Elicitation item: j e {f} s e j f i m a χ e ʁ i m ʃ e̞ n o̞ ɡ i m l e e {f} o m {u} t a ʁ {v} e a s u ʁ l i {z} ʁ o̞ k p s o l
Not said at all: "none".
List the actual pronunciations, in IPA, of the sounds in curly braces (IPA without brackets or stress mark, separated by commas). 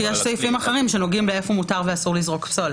ʃ, f, u, v, z